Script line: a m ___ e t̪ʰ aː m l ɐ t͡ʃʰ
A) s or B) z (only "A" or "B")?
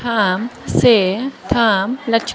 A